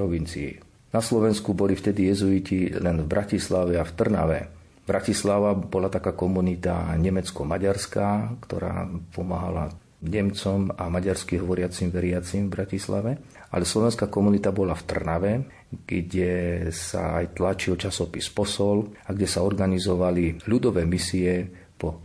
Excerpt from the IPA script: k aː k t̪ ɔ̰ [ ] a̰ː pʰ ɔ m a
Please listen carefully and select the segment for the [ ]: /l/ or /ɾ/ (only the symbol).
ɾ